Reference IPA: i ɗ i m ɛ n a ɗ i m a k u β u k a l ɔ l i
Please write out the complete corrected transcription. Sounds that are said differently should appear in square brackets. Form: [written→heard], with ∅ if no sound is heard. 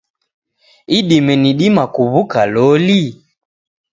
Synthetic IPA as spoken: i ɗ i m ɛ n [a→i] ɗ i m a k u β u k a l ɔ l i